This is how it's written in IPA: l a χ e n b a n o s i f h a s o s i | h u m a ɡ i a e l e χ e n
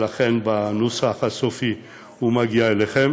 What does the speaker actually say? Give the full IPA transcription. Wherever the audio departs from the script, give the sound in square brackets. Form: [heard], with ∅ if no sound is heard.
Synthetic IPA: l a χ e n b a n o s [a] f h a s o [f] i | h u m a ɡ i a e l e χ e [m]